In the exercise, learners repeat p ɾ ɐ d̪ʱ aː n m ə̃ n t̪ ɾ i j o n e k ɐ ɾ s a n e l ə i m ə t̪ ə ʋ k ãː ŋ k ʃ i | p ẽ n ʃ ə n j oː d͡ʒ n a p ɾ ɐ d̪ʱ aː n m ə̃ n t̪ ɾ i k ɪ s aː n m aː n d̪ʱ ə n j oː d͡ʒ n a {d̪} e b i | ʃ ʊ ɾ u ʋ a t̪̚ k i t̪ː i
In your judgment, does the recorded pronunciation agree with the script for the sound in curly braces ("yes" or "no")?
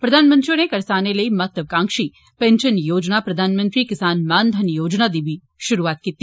yes